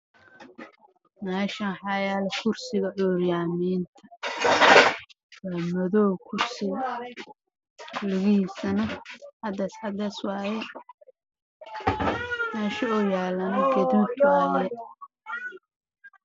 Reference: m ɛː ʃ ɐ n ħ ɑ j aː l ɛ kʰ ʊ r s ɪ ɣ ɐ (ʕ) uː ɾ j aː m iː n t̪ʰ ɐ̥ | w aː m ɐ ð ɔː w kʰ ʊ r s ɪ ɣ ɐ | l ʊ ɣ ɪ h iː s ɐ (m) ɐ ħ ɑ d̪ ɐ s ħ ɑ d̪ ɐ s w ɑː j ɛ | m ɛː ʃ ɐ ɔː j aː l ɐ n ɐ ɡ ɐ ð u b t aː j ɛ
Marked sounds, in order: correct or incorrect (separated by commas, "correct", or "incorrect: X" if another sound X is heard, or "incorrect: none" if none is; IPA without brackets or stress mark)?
correct, incorrect: n